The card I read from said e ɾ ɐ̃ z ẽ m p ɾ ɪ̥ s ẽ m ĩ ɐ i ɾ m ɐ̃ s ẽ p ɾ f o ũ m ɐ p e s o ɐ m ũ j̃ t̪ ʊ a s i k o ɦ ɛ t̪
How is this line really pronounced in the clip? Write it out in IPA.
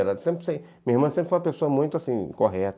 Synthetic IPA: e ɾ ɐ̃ s ẽ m p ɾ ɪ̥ s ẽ m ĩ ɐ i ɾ m ɐ̃ s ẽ p ɾ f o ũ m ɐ p e s o ɐ m ũ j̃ t̪ ʊ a s ĩ k o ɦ ɛ t̪